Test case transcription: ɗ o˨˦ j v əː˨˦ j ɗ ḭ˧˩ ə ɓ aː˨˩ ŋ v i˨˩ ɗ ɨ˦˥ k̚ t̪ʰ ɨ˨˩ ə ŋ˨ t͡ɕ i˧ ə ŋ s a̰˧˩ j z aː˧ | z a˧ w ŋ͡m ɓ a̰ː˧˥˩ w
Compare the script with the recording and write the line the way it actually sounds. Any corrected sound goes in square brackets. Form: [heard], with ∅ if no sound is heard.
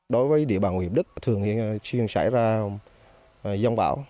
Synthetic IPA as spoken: ɗ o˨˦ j v əː˨˦ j ɗ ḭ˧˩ ə ɓ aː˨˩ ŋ [w] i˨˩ ɗ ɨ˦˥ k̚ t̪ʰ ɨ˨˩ ə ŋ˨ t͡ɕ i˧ ə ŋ s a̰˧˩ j z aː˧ | z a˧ w ŋ͡m ɓ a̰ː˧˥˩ w

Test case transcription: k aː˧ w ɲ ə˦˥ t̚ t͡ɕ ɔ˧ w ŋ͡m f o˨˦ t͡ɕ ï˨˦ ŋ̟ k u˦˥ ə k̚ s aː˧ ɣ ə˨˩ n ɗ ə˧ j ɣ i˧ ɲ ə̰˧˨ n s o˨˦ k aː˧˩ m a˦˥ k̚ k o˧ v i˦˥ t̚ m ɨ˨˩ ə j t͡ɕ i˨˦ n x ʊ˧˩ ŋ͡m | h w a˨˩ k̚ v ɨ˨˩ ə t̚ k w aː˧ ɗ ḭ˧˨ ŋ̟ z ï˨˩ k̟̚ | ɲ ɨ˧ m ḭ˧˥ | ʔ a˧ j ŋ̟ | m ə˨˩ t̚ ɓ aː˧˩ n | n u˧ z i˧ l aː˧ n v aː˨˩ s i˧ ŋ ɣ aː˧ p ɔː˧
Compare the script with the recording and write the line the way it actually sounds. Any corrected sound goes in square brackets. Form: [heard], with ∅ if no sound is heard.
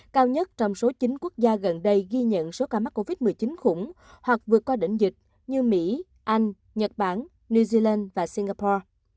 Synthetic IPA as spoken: k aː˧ w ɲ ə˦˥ t̚ t͡ɕ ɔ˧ w ŋ͡m [s] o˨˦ t͡ɕ ï˨˦ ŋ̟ k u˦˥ ə k̚ [z] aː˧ ɣ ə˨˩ n ɗ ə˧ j ɣ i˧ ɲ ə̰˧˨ n s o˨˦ k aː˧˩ m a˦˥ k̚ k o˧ v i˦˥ t̚ m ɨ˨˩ ə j t͡ɕ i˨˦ n x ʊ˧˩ ŋ͡m | h w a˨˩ k̚ v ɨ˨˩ ə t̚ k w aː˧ ɗ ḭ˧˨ ŋ̟ z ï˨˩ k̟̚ | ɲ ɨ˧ m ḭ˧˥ | ʔ a˧ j ŋ̟ | [ɲ] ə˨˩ t̚ ɓ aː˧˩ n | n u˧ z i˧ l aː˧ n v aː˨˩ s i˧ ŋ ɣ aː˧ p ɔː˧

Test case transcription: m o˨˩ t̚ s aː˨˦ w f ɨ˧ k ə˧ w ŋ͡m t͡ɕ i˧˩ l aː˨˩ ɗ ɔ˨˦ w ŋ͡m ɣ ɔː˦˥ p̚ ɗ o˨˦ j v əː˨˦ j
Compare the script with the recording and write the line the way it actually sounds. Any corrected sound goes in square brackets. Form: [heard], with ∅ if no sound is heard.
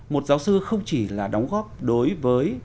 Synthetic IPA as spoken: m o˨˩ t̚ [z] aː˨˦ w [s] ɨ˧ [x] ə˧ w ŋ͡m t͡ɕ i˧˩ l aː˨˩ ɗ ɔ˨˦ w ŋ͡m ɣ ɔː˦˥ p̚ ɗ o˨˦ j v əː˨˦ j

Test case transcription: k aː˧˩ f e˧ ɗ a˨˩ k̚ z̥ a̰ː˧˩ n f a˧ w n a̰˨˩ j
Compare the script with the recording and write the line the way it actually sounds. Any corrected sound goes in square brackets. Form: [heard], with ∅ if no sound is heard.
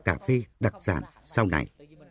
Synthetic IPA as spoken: k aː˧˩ f e˧ ɗ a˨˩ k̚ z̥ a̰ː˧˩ n [s] a˧ w n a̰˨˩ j

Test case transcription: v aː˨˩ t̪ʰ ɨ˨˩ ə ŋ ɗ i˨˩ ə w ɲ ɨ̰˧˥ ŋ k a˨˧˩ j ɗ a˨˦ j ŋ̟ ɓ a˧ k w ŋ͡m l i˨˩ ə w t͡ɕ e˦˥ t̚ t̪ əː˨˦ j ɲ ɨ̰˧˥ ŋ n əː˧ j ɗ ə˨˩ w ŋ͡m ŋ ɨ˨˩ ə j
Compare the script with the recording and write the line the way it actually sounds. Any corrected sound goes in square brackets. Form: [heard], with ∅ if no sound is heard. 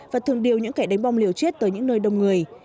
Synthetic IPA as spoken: v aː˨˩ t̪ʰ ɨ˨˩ ə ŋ ɗ i˨˩ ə w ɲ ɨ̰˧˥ ŋ k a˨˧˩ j ɗ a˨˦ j ŋ̟ ɓ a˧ [∅] w ŋ͡m l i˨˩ ə w t͡ɕ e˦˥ t̚ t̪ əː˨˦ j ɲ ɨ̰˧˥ ŋ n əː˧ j ɗ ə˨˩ w ŋ͡m ŋ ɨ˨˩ ə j

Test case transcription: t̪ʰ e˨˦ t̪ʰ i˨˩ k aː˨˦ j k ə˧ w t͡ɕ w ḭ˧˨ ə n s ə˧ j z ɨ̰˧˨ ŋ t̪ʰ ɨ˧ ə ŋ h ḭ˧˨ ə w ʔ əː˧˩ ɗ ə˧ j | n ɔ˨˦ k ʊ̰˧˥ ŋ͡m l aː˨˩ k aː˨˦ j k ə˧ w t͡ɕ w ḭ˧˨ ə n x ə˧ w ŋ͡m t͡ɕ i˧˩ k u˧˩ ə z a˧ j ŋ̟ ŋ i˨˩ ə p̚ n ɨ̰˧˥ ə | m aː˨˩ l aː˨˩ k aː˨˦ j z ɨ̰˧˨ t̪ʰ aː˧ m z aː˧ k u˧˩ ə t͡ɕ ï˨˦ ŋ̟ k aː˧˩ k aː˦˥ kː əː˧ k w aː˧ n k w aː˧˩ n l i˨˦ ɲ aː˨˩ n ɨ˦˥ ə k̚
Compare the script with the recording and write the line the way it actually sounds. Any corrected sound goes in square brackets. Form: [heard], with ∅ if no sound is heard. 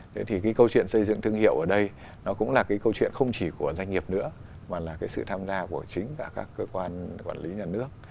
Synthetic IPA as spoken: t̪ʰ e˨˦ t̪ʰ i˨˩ k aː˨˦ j k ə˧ w t͡ɕ w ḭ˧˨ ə n s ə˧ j z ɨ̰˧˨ ŋ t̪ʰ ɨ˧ ə ŋ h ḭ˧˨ ə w ʔ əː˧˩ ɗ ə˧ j | n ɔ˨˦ k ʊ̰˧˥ ŋ͡m l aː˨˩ k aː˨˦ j k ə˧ w t͡ɕ w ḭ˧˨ ə n x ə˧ w ŋ͡m t͡ɕ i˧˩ k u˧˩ ə z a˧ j ŋ̟ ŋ i˨˩ ə p̚ n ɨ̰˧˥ ə | m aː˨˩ l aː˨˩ k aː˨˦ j [s] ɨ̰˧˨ t̪ʰ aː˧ m z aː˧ k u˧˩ ə t͡ɕ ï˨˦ ŋ̟ k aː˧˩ k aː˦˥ kː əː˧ k w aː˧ n k w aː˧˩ n l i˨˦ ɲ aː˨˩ n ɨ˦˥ ə k̚

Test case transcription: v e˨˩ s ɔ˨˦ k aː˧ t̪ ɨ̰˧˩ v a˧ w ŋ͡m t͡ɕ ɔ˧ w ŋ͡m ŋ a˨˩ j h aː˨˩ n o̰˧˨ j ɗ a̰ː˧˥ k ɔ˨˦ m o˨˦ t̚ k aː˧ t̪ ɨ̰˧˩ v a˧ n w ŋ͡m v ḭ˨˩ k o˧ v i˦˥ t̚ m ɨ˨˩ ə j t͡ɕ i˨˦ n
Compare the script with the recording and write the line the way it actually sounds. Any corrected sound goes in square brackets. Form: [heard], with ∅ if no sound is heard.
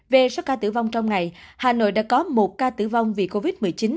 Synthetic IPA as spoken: v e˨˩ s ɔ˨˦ k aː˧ t̪ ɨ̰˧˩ v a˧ w ŋ͡m t͡ɕ ɔ˧ w ŋ͡m ŋ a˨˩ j h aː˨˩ n o̰˧˨ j ɗ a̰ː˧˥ k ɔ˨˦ m [o˨˩] t̚ k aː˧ t̪ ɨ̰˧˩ v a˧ [∅] w ŋ͡m v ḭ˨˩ k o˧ v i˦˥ t̚ m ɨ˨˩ ə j t͡ɕ i˨˦ n

